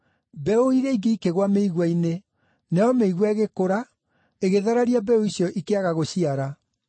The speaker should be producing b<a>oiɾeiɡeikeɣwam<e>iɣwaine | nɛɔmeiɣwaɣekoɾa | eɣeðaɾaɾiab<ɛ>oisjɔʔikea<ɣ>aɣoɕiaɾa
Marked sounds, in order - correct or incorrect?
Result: incorrect: ɛ, correct, correct, correct

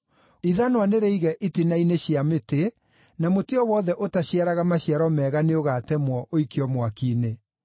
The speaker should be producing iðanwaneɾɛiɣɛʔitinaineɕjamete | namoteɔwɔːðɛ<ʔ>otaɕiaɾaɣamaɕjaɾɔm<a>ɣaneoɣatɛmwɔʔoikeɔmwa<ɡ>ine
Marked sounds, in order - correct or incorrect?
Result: correct, incorrect: ɛ, incorrect: k

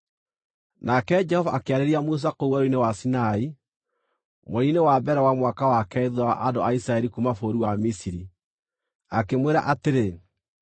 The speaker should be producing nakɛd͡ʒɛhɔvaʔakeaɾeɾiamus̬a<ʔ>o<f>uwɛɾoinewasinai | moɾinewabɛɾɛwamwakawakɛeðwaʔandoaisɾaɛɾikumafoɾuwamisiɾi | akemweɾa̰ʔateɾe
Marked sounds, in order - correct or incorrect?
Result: incorrect: k, incorrect: none

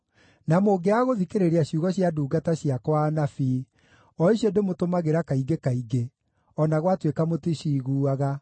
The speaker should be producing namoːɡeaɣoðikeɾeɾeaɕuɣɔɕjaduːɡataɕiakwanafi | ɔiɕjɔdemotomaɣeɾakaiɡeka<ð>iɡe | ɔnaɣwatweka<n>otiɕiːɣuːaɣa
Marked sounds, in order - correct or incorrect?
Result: incorrect: none, incorrect: m

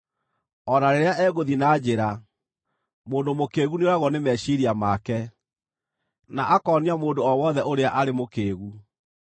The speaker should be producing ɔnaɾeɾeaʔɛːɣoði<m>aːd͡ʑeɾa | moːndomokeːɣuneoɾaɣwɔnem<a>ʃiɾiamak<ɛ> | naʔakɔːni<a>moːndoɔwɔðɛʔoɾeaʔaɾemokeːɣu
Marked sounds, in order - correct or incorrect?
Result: incorrect: n, incorrect: ɛ, correct, correct

